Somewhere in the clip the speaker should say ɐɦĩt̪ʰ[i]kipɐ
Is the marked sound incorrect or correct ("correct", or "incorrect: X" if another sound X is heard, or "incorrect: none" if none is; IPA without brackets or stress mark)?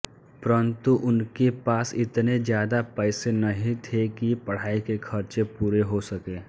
incorrect: e